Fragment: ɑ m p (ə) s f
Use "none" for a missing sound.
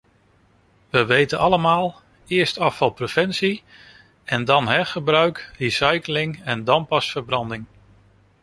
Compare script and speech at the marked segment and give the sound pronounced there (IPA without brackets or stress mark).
ɑ